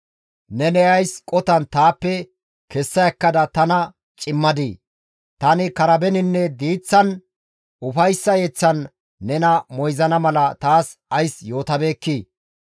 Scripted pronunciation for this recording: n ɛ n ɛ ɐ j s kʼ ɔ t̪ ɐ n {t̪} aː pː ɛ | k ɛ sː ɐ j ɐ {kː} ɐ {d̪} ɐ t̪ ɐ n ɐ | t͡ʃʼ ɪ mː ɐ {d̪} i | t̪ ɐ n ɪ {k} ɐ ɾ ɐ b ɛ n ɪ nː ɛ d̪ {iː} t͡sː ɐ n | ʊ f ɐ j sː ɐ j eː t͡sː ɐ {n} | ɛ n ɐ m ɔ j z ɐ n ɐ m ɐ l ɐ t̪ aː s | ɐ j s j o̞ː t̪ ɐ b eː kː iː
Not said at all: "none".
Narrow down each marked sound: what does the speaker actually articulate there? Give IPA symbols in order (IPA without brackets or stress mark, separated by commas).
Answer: t̪, kː, d̪, d̪, k, iː, nː